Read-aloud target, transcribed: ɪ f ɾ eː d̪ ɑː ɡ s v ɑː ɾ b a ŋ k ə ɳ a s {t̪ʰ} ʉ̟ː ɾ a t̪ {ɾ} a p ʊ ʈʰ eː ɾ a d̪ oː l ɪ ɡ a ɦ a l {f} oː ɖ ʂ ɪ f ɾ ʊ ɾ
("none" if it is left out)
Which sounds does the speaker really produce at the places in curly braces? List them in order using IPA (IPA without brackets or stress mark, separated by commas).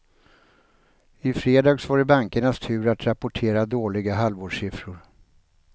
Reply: t̪ʰ, ɾ, v